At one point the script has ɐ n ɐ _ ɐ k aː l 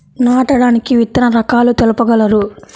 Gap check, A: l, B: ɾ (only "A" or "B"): B